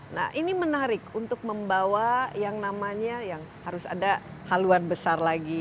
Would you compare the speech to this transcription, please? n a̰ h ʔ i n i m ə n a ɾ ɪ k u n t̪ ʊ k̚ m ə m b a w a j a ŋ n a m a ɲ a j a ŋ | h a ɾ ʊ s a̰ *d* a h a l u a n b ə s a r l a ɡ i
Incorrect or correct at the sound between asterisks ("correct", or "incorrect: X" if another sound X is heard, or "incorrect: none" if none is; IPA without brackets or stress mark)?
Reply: correct